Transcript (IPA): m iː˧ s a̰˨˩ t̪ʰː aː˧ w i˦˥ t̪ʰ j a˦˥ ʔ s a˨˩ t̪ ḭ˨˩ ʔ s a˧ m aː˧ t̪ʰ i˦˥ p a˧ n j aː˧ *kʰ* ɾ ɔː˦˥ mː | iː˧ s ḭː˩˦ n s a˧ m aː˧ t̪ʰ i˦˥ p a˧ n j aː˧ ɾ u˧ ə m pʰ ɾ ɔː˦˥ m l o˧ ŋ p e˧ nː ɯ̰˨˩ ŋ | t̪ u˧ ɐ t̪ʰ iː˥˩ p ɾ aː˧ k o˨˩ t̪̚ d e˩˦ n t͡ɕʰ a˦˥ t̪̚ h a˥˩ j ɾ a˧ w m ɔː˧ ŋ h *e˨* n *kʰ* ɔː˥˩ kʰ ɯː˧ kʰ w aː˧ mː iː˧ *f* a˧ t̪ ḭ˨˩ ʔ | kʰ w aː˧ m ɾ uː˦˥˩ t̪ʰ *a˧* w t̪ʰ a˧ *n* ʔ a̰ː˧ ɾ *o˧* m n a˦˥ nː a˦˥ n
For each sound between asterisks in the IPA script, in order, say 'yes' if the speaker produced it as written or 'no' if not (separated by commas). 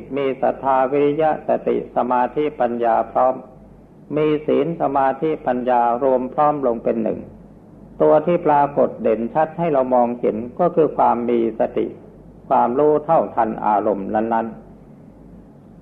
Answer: no, no, no, no, no, yes, yes